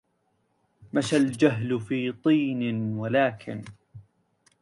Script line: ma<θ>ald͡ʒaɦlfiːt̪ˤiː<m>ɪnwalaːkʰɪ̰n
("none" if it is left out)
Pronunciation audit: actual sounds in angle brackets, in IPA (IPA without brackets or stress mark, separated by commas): ʃ, n